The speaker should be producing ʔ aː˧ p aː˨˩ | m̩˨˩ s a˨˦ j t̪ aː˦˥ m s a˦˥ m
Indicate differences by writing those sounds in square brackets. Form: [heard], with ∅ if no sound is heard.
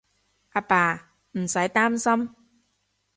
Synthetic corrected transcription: ʔ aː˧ p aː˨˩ | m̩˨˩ s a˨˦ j t̪ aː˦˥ m s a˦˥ m